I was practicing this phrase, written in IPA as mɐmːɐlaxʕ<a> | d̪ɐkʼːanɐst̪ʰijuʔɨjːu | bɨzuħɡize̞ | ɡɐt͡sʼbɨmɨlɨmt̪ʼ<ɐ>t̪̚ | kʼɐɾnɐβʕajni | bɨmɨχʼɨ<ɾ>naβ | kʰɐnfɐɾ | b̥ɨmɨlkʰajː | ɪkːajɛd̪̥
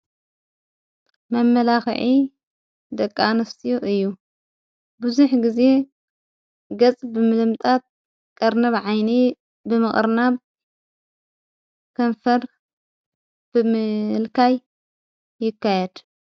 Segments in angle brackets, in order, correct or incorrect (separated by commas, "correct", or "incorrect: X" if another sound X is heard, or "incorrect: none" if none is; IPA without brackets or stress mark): incorrect: i, incorrect: a, correct